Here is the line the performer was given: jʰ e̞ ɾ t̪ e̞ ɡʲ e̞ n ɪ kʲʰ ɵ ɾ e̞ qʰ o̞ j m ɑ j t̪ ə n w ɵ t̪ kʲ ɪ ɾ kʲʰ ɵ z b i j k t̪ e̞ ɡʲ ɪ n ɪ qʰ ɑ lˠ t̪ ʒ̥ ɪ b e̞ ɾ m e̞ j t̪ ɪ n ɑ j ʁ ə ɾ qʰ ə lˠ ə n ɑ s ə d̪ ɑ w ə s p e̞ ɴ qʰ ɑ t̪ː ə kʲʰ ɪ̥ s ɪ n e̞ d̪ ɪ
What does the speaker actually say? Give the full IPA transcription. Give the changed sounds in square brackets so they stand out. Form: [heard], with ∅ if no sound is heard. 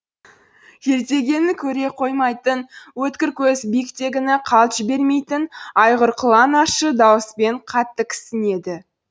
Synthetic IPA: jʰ e̞ ɾ t̪ e̞ ɡʲ e̞ n ɪ kʲʰ ɵ ɾ e̞ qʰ o̞ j m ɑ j t̪ ə n w ɵ t̪ kʲ ɪ ɾ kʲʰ ɵ z b i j k t̪ e̞ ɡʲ ɪ n ɪ qʰ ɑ lˠ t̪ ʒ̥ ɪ b e̞ ɾ m e̞ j t̪ ɪ n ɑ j ʁ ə ɾ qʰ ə lˠ [ɑ] n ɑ [ʃ] ə d̪ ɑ w ə s p e̞ ɴ qʰ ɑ t̪ː ə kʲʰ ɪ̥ s ɪ n e̞ d̪ ɪ